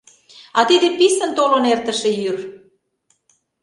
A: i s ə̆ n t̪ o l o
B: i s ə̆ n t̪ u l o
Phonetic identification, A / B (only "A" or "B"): A